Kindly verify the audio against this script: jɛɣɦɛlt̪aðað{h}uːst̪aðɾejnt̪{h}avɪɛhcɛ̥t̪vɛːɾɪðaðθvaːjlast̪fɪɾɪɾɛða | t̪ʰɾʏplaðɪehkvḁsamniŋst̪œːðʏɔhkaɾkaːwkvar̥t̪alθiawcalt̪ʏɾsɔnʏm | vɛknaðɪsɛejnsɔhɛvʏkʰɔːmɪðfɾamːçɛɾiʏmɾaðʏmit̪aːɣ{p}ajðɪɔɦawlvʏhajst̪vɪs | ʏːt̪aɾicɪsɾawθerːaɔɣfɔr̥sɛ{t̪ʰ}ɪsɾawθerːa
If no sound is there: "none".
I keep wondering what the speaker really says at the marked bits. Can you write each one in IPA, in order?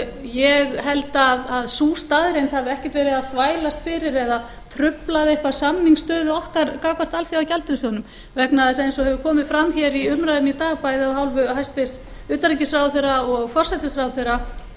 s, h, p, t̪

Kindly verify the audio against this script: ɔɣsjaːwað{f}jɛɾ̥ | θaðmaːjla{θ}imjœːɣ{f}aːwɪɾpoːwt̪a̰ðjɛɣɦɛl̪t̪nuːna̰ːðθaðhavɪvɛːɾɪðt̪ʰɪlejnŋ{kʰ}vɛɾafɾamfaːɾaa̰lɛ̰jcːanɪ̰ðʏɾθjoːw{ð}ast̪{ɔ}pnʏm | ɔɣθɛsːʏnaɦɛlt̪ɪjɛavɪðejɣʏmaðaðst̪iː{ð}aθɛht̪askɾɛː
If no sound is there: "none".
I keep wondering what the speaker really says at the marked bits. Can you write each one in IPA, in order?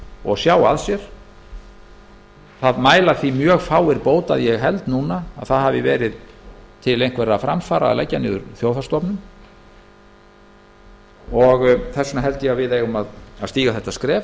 s, θ, f, k, θ, ɔ, ɣ

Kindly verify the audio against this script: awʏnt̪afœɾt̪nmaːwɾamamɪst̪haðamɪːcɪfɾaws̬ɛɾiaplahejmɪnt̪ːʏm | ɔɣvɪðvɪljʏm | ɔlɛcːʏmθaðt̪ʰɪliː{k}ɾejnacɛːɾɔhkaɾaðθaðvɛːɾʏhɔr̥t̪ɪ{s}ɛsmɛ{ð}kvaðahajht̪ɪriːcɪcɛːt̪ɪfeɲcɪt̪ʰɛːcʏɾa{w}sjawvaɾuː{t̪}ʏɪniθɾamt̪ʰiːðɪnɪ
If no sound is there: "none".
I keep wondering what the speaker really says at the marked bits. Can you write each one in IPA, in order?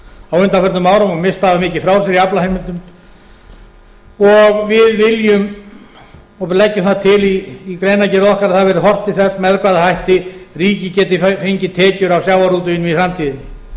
k, θ, ð, w, t̪

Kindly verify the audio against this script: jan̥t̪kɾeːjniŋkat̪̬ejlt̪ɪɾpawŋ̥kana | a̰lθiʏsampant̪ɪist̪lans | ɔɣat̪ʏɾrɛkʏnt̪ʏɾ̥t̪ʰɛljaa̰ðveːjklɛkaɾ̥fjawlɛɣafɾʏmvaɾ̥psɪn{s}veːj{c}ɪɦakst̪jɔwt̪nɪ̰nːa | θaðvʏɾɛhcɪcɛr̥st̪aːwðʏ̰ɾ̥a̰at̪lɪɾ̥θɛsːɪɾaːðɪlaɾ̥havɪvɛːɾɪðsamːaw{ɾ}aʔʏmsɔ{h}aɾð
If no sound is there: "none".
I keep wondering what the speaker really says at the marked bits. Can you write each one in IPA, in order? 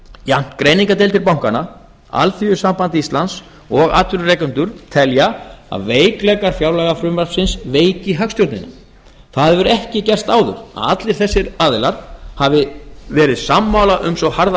s, c, l, h

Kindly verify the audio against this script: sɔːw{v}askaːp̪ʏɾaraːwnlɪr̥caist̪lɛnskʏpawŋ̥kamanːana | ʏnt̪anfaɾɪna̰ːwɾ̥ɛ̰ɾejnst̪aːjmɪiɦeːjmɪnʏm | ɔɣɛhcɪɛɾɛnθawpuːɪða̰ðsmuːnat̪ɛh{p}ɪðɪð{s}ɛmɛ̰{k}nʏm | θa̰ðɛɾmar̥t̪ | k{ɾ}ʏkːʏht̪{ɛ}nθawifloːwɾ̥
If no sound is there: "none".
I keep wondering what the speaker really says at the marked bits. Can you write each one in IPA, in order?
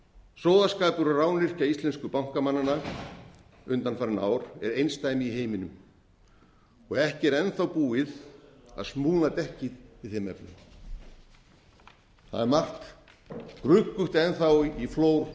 ð, c, θ, p, ɾ, ɛ

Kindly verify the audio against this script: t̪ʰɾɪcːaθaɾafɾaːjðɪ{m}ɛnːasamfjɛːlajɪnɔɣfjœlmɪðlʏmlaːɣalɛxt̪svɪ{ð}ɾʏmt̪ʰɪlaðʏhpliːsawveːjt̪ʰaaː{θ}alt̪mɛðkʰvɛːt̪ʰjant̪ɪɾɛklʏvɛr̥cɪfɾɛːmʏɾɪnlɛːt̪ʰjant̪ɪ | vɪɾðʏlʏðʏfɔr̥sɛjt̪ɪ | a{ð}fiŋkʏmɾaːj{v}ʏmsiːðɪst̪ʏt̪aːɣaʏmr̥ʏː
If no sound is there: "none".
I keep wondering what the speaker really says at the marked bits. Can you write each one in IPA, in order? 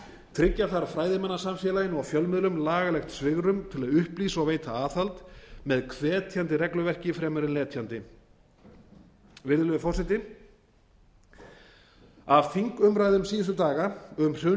m, ɣ, θ, v, ð

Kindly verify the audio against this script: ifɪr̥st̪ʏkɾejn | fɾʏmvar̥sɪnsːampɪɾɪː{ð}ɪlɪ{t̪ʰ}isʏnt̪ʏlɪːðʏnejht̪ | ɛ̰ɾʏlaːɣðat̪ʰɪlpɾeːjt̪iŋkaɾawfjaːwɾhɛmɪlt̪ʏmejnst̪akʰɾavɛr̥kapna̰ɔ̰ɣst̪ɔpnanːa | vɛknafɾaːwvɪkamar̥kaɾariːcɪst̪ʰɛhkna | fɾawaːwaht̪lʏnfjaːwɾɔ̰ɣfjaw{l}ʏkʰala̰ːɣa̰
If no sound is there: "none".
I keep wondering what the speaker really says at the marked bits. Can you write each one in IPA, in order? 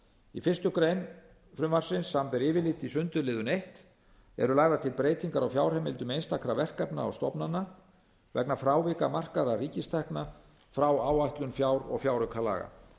v, t̪, ɾ

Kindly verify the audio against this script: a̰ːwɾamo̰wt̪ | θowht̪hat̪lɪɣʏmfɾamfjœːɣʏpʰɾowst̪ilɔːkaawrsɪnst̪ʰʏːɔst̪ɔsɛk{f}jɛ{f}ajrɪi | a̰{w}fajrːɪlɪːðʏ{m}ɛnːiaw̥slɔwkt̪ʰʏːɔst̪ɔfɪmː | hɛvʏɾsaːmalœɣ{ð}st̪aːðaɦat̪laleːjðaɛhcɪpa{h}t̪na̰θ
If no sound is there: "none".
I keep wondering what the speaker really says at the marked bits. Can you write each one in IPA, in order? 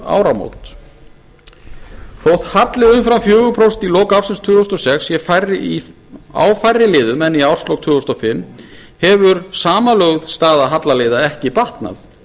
s, f, w, m, ð, h

